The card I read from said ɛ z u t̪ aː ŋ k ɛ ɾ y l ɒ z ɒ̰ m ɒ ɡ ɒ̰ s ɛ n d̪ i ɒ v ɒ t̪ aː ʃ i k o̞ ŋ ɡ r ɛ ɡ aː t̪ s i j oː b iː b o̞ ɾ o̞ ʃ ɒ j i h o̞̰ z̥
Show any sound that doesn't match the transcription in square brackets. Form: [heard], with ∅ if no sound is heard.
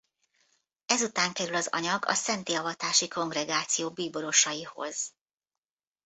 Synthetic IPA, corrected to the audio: ɛ z u t̪ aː ŋ k ɛ ɾ y l ɒ z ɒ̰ [ɲ] ɒ ɡ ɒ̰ s ɛ n [t̪] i ɒ v ɒ t̪ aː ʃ i k o̞ ŋ ɡ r ɛ ɡ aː t̪ s i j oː b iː b o̞ ɾ o̞ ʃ ɒ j i h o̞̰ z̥